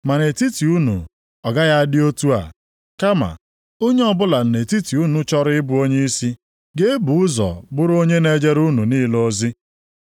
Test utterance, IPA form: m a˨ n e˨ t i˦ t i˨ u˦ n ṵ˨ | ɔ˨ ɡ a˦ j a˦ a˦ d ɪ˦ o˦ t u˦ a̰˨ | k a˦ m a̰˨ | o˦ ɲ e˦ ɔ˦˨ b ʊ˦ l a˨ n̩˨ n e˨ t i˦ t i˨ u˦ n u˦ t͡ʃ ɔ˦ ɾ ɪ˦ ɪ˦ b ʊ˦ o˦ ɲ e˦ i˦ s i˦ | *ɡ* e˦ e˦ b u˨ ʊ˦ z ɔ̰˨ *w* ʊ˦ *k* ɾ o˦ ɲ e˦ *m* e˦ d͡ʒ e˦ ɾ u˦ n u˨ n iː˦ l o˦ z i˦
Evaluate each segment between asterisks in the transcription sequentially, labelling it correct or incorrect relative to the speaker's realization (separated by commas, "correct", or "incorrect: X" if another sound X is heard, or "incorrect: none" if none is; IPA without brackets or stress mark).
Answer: correct, incorrect: b, incorrect: none, incorrect: n